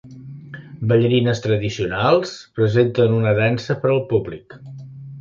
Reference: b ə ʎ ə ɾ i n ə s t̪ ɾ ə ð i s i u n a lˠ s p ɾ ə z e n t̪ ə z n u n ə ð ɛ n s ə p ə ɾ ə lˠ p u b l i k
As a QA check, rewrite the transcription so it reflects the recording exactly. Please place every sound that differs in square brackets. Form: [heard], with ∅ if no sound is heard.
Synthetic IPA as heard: b ə ʎ ə ɾ i n ə s t̪ ɾ ə ð i s i u n a lˠ s p ɾ ə z e n t̪ ə [∅] n u n ə ð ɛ n s ə p ə ɾ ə lˠ p u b l i k